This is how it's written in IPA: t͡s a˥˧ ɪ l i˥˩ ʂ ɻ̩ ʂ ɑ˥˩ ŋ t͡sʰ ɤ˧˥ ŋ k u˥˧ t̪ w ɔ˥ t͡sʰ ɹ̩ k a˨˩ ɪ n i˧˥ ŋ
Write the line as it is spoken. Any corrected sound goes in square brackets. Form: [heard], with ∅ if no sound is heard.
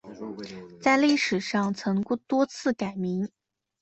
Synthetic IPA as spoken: t͡s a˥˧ ɪ l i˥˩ ʂ ɻ̩ ʂ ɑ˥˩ ŋ t͡sʰ ɤ˧˥ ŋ k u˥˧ t̪ w ɔ˥ t͡sʰ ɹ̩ k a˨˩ ɪ [m] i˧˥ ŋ